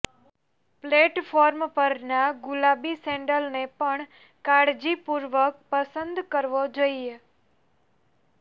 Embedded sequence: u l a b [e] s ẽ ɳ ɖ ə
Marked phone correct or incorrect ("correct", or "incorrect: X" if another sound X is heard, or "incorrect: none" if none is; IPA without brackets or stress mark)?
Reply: incorrect: i